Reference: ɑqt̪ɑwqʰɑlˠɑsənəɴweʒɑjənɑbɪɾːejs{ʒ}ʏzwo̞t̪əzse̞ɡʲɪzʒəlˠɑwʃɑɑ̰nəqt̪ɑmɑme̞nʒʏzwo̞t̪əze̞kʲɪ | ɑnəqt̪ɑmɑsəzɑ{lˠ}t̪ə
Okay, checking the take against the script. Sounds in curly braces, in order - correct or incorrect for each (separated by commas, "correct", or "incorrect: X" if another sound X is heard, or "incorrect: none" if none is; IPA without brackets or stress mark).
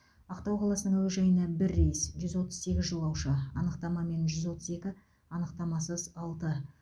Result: correct, correct